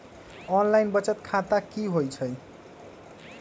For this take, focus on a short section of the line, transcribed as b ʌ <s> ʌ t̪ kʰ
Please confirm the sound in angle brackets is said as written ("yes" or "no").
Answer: no